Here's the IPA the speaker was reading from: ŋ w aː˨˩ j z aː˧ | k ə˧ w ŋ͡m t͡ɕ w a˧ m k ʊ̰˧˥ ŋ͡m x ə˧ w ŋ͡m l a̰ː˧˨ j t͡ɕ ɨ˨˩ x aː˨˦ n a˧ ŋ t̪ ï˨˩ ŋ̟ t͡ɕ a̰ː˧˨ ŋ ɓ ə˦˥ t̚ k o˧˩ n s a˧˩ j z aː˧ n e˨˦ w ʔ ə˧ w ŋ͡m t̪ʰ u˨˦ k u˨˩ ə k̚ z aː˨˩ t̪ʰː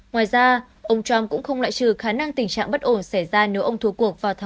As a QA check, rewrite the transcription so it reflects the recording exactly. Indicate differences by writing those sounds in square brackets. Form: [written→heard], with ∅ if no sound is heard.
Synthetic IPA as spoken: ŋ w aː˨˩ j z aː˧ | [k→ʔ] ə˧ w ŋ͡m t͡ɕ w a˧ m k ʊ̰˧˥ ŋ͡m x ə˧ w ŋ͡m l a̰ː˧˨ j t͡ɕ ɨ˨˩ x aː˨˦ n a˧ ŋ t̪ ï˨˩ ŋ̟ t͡ɕ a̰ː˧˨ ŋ ɓ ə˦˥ t̚ [k→ʔ] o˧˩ n s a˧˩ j z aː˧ n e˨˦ w ʔ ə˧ w ŋ͡m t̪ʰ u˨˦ k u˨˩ ə k̚ [z→v] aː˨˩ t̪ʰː

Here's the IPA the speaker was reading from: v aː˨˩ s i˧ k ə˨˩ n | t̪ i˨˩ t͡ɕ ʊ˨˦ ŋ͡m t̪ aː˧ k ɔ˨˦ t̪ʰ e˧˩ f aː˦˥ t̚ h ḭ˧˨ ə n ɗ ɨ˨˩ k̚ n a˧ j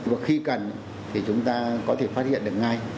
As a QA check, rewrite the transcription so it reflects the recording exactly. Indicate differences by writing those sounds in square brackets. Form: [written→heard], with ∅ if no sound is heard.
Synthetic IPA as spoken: v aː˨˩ [s→x] i˧ k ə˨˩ n | [t̪→t̪ʰ] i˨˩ t͡ɕ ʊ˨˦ ŋ͡m t̪ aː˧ k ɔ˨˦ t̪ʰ e˧˩ f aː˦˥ t̚ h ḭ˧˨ ə n ɗ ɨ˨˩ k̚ [n→ŋ] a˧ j

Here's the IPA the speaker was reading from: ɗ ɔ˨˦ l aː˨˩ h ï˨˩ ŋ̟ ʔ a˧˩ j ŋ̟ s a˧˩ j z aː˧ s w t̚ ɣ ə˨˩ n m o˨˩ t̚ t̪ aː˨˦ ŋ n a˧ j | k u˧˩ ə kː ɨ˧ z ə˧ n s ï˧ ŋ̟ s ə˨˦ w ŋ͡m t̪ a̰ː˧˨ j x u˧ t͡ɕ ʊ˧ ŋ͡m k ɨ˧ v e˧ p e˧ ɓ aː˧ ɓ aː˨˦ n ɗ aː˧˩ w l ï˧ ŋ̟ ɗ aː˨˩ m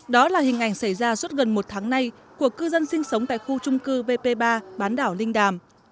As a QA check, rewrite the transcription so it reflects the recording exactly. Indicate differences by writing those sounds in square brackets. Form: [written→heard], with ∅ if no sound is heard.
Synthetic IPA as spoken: ɗ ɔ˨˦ l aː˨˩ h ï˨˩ ŋ̟ ʔ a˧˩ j ŋ̟ s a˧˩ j z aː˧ s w t̚ ɣ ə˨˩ n m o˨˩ t̚ [t̪→t̪ʰ] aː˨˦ ŋ n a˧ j | k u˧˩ ə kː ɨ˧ z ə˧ n s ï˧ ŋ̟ s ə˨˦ w ŋ͡m t̪ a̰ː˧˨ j x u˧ t͡ɕ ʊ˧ ŋ͡m k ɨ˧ v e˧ p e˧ ɓ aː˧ ɓ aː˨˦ n ɗ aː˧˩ w l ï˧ ŋ̟ ɗ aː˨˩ m

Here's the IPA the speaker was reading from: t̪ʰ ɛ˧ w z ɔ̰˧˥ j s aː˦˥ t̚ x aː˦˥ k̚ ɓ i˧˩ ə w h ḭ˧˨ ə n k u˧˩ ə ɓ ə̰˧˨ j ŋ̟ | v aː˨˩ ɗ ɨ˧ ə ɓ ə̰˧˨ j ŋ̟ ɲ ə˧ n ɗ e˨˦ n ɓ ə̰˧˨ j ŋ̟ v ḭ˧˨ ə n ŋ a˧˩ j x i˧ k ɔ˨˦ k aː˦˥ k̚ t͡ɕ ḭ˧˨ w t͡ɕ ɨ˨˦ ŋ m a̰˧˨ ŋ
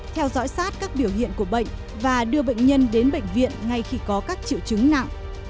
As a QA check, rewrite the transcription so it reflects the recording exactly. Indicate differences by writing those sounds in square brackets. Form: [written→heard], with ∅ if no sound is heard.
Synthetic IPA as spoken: t̪ʰ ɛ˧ w z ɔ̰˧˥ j s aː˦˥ t̚ [x→k] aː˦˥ k̚ ɓ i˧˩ ə w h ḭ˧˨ ə n k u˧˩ ə ɓ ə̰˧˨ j ŋ̟ | v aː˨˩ ɗ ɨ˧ ə ɓ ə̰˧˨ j ŋ̟ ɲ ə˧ n ɗ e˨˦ n ɓ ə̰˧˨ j ŋ̟ v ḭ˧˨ ə n ŋ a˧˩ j x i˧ k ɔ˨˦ k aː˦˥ k̚ t͡ɕ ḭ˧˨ w t͡ɕ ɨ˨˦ ŋ [m→n] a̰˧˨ ŋ

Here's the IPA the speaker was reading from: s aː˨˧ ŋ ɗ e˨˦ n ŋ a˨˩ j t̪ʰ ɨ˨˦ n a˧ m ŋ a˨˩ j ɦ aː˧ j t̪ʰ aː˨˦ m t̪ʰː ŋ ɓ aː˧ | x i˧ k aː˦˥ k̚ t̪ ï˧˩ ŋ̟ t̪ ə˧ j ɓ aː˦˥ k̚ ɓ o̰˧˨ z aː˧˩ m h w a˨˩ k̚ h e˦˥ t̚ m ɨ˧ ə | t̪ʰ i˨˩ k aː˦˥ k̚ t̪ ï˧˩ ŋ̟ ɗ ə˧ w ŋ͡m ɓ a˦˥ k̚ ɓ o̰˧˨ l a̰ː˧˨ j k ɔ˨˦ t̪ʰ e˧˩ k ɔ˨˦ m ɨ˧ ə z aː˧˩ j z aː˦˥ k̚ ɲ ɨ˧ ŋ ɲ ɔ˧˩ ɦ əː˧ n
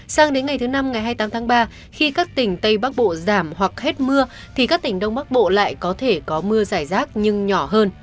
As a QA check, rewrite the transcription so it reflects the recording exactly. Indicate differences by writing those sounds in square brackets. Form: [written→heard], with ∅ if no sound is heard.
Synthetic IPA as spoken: s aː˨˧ ŋ ɗ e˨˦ n ŋ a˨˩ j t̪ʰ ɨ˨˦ n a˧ m ŋ a˨˩ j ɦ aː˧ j [t̪ʰ→t̪] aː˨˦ m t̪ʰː ŋ ɓ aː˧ | x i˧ k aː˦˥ k̚ t̪ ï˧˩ ŋ̟ t̪ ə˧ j ɓ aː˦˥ k̚ ɓ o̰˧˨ z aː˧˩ m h w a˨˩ k̚ h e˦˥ t̚ m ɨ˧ ə | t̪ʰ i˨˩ k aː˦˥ k̚ t̪ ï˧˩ ŋ̟ ɗ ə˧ w ŋ͡m ɓ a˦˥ k̚ ɓ o̰˧˨ l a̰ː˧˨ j k ɔ˨˦ t̪ʰ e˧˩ k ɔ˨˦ m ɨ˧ ə z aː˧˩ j z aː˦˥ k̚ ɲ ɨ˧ ŋ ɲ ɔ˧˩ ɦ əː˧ n

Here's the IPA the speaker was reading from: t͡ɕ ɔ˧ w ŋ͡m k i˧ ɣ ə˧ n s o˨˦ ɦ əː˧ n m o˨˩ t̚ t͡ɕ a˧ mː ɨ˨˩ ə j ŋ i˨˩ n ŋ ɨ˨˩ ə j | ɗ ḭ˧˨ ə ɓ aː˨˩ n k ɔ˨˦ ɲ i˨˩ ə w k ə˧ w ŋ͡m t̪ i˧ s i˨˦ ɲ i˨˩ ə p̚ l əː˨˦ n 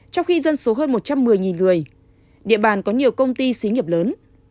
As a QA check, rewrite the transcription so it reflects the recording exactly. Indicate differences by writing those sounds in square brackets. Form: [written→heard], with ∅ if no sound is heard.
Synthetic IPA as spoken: t͡ɕ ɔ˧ w ŋ͡m [k→x] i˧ [ɣ→z] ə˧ n s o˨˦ ɦ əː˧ n m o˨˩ t̚ t͡ɕ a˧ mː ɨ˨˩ ə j ŋ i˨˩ n ŋ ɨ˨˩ ə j | ɗ ḭ˧˨ ə ɓ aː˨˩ n k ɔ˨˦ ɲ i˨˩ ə w k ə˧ w ŋ͡m t̪ i˧ s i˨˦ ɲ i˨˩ ə p̚ l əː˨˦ n

